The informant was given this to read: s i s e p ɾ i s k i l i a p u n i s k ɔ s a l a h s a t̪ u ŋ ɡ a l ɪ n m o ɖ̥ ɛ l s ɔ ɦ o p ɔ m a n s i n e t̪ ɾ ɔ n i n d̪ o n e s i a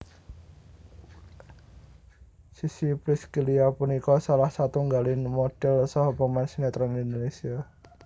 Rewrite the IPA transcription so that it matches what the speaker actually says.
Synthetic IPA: s i s i p ɾ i s k i l i a p u n i k ɔ s a l a h s a t̪ u ŋ ɡ a l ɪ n m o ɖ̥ ɛ l s ɔ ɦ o p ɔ m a n s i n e t̪ ɾ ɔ n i n d̪ o n e s i a